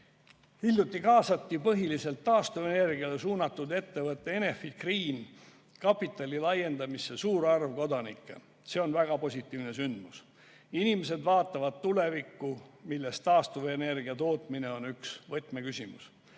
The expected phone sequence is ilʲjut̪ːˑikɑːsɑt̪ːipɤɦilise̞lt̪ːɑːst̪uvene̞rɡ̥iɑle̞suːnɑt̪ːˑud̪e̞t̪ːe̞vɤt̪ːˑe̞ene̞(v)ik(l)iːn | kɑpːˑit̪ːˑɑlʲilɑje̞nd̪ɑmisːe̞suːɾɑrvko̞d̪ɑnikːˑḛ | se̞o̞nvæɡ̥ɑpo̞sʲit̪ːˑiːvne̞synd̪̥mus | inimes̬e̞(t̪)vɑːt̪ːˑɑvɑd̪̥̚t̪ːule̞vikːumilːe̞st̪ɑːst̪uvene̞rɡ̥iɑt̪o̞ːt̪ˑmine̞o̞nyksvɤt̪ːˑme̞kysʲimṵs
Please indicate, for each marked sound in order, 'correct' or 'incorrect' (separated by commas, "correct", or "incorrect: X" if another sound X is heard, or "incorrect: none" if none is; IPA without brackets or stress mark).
incorrect: f, incorrect: r, incorrect: d̪